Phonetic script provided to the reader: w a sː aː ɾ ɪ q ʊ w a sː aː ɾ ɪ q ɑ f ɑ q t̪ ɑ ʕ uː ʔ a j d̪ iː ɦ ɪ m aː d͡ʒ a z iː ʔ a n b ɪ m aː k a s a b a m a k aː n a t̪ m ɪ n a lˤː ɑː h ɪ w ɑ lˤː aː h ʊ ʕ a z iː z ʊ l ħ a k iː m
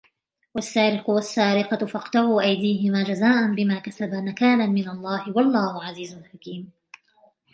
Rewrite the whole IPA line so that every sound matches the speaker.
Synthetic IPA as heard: w a sː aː ɾ ɪ q ʊ w a sː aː ɾ ɪ q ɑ f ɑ q t̪ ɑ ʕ uː ʔ a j d̪ iː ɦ ɪ m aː d͡ʒ a z aː ʔ a n b ɪ m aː k a s a b a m a k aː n a m ɪ n a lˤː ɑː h ɪ w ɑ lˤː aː h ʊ ʕ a z iː z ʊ l ħ a k iː m